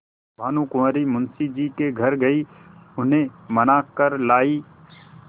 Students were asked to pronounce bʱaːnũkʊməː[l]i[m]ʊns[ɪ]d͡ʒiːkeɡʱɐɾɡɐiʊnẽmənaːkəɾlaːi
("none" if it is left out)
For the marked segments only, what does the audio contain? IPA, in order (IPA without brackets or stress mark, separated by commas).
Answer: ɾ, m, i